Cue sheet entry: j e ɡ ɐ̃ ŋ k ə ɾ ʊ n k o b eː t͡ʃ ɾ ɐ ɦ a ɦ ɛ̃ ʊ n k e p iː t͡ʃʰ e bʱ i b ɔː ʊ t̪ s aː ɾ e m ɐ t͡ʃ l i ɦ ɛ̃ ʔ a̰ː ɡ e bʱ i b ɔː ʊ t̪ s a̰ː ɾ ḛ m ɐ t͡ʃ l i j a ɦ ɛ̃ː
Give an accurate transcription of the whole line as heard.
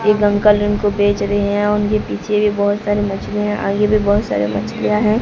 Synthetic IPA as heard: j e ɡ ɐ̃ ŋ k ə l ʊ n k o b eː t͡ʃ ɾ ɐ ɦ e ɦ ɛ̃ ʊ n k e p iː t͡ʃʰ e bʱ i b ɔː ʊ t̪ s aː ɾ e m ɐ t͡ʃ l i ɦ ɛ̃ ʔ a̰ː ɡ e bʱ i b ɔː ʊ t̪ s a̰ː ɾ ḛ m ɐ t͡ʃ l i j a ɦ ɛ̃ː